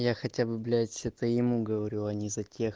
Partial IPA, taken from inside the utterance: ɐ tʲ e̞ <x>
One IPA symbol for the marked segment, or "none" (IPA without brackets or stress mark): x